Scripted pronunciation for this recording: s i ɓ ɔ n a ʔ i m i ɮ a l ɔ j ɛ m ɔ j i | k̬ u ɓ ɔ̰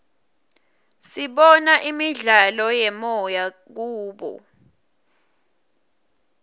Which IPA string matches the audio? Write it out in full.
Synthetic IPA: s i ɓ ɔ n a ʔ i m i ɮ a l ɔ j ɛ m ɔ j a | k̬ uː ɓ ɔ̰